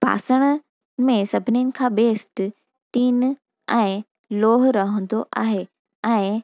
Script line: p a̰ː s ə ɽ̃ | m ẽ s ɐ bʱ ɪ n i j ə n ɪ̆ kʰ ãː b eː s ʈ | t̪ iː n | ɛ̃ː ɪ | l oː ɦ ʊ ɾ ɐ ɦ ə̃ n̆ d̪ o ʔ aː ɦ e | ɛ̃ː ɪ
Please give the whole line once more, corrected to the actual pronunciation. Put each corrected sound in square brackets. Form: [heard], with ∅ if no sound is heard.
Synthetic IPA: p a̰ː s ə ɽ̃ | m ẽ s ɐ bʱ ɪ n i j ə n ɪ̆ kʰ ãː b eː s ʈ | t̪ iː n | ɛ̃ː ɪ | l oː ɦ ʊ ɾ ɐ ɦ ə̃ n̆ d̪ o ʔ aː ɦ e | ɛ̃ː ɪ